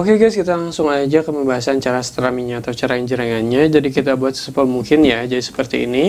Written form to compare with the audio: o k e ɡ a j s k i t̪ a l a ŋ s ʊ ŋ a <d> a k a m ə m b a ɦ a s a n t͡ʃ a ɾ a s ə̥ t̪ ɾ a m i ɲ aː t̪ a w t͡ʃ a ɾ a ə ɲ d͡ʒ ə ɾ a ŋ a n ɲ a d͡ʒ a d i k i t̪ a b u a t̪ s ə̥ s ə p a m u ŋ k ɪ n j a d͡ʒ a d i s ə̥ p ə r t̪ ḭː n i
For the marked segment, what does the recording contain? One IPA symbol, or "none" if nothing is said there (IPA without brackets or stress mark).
d͡ʒ